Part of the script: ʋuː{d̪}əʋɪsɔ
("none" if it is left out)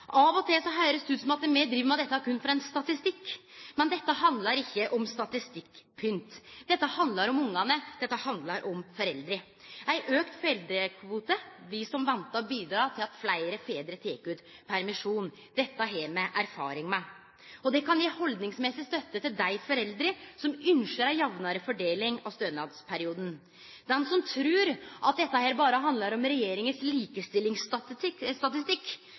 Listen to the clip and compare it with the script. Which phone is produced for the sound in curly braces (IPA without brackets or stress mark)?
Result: t̪